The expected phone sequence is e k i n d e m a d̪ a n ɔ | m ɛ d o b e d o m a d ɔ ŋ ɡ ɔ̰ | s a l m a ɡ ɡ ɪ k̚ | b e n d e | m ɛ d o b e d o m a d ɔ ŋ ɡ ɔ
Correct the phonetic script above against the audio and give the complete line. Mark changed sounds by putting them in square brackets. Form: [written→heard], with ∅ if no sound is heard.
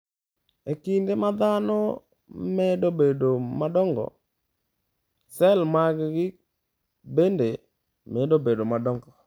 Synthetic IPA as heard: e k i n d e m a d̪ a n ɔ | m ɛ d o b e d o m a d ɔ ŋ ɡ ɔ̰ | s [a→ɛ] l m a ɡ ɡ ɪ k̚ | b e n d e | m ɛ d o b e d o m a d ɔ ŋ ɡ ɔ